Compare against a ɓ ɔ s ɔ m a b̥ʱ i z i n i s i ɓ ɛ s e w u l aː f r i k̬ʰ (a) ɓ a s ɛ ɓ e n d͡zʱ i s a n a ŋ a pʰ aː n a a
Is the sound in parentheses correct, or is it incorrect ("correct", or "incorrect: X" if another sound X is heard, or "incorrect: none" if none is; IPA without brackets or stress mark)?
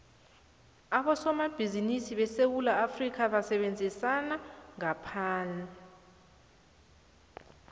correct